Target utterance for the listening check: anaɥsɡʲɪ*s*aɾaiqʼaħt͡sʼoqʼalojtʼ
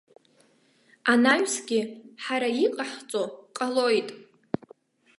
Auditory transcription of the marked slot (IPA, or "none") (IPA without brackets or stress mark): ħ